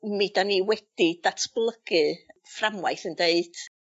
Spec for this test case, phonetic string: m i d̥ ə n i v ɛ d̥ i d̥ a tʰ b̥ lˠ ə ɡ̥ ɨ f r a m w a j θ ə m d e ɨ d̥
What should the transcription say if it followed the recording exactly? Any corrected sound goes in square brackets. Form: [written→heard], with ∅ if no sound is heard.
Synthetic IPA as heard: m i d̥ [ə→a] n i [v→w] ɛ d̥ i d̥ a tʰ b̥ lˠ ə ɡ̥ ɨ f r a m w a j θ ə [m→n] d e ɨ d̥